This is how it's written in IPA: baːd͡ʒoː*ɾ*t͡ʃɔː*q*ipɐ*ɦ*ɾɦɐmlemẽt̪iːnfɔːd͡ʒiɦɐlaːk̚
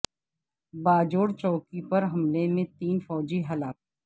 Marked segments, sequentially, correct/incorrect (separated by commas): incorrect, incorrect, incorrect